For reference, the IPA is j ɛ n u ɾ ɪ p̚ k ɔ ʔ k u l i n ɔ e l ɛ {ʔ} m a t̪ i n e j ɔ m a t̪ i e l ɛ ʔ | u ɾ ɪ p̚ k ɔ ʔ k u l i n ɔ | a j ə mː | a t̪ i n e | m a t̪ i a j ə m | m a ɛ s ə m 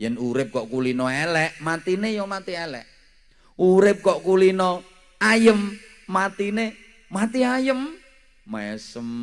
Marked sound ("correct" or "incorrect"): correct